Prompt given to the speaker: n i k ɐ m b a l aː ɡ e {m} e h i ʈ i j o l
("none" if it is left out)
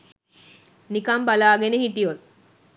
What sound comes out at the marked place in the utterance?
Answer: n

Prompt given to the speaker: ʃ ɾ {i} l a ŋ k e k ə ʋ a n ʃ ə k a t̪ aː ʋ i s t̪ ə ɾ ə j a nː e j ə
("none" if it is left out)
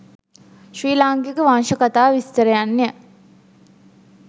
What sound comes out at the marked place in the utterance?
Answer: iː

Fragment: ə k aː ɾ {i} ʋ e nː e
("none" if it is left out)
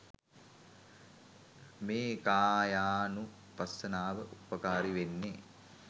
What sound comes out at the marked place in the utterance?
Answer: i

